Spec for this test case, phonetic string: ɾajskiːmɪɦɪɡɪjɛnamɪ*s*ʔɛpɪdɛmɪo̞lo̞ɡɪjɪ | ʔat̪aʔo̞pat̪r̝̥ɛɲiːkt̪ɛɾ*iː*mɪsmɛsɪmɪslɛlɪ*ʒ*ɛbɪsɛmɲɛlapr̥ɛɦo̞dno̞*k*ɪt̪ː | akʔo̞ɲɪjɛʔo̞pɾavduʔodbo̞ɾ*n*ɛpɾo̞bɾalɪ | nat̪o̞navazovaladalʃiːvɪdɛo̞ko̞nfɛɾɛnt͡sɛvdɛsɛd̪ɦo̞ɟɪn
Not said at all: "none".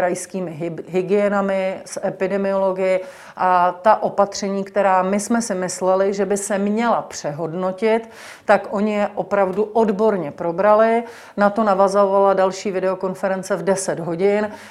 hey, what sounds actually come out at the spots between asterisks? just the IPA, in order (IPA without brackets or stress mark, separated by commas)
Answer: s, aː, ʒ, c, ɲ